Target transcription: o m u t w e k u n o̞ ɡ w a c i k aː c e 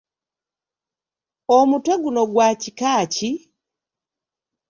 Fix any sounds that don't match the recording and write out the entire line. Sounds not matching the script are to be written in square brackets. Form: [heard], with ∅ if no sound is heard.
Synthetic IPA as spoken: o m u t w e [ɡ] u n o̞ ɡ w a c i k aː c [i]